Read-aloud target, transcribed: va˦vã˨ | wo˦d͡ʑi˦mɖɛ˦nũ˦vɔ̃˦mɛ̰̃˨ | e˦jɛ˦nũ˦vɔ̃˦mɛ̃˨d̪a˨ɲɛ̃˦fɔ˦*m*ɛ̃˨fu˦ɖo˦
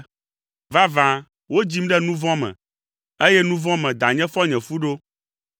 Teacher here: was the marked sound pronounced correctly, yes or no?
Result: no